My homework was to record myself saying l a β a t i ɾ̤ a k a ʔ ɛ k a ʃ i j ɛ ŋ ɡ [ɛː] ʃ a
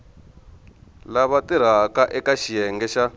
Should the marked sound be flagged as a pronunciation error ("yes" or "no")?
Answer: yes